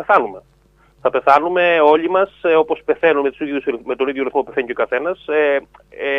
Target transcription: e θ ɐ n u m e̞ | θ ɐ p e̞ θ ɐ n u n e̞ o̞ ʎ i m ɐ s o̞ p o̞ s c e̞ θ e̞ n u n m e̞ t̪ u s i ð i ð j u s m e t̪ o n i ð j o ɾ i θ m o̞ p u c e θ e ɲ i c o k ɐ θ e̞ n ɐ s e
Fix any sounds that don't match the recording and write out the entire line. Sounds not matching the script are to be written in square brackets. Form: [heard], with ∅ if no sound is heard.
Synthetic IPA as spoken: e θ ɐ n u m e̞ | θ ɐ p e̞ θ ɐ n u [m] e̞ o̞ ʎ i m ɐ s o̞ p o̞ s [p] e̞ θ e̞ n u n m e̞ t̪ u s i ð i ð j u s m e t̪ o n i ð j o ɾ i θ m o̞ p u [p] e θ e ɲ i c o k ɐ θ e̞ n ɐ s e